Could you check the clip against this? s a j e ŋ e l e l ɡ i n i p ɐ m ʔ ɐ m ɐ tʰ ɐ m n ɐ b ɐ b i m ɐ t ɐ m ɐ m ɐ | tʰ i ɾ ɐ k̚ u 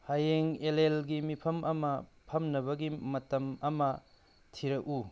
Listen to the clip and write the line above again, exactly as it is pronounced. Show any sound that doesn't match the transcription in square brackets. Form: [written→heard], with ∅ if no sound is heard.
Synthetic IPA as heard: [s→h] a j e ŋ e l e l ɡ i [n→m] i [p→pʰ] ɐ m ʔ ɐ m ɐ [tʰ→pʰ] ɐ m n ɐ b ɐ [b→ɡ] i m ɐ t ɐ m ɐ m ɐ | tʰ i ɾ ɐ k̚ u